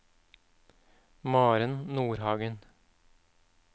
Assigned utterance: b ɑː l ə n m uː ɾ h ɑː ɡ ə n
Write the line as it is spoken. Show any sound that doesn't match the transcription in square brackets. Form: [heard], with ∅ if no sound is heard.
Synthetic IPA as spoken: [m] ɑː [ɾ] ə n [n] uː ɾ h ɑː ɡ ə n